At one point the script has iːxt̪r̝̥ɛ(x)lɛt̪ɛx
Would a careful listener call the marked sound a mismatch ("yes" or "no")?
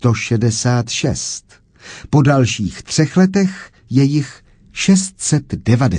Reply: no